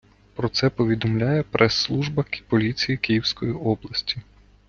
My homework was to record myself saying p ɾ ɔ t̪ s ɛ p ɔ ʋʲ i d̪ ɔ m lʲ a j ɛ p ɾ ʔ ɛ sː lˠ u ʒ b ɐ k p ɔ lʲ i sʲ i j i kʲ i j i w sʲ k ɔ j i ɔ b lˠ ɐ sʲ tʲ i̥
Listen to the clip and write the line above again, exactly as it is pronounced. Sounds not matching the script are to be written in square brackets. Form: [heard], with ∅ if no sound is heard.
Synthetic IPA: p ɾ ɔ t̪ s ɛ p ɔ ʋʲ i d̪ ɔ m lʲ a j ɛ p ɾ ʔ ɛ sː lˠ u ʒ b ɐ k p ɔ lʲ i [t͡sʲ] i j i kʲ i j i w sʲ k ɔ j i ɔ b lˠ ɐ sʲ tʲ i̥